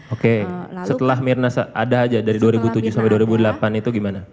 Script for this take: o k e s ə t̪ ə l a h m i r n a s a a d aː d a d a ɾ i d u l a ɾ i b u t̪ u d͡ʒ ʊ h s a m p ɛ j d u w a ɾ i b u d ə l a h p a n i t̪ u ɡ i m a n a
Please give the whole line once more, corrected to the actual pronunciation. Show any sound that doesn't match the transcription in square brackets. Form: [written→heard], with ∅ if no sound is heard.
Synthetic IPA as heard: o k e s ə t̪ ə l a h m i r n a s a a d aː [d→d͡ʒ] a d a ɾ i d u [l→∅] a ɾ i b u t̪ u d͡ʒ ʊ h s a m p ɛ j d u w a ɾ i b u d ə l a [h→∅] p a n i t̪ u ɡ i m a n a